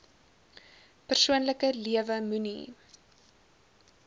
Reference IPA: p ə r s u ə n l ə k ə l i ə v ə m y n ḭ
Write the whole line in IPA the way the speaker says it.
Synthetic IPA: p ə r s u ə n l ə k ə l i ə v ə m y n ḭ